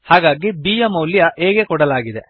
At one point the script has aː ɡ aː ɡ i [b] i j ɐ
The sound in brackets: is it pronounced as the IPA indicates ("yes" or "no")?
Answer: yes